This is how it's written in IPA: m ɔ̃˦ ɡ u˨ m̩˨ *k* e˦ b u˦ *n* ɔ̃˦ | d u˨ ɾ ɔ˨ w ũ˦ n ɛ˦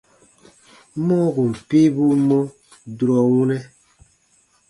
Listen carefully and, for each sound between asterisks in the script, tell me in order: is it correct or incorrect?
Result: incorrect: p, incorrect: m

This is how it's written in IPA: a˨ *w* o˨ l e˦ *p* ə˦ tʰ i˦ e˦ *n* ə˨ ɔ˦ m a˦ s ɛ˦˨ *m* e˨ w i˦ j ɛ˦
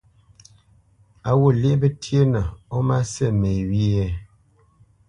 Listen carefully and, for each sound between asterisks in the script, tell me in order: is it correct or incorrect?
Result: correct, incorrect: b, correct, correct

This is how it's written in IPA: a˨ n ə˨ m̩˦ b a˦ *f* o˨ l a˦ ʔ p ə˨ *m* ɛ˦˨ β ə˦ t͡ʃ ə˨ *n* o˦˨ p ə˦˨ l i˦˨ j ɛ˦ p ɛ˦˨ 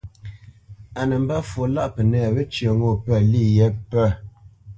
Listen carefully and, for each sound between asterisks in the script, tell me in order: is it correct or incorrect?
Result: correct, incorrect: n, incorrect: ŋ

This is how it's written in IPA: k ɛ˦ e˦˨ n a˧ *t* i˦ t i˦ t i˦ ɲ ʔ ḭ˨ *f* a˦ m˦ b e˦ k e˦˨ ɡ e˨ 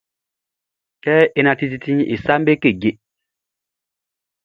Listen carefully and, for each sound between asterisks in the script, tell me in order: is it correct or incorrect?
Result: correct, incorrect: s

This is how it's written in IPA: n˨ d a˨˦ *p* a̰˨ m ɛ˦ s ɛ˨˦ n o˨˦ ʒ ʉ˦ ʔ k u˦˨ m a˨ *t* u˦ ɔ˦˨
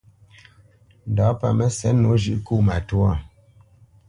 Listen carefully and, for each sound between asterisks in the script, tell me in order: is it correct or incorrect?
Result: correct, correct

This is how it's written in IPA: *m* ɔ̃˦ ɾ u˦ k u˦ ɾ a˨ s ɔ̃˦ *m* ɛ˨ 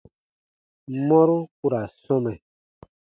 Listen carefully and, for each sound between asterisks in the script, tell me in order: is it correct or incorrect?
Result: correct, correct

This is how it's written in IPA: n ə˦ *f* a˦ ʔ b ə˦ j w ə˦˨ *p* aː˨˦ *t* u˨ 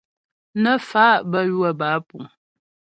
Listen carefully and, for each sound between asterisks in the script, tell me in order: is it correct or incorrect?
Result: correct, incorrect: b, incorrect: p

